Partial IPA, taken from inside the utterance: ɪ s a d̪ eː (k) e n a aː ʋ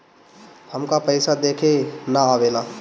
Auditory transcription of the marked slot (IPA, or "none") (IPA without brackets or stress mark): kʰ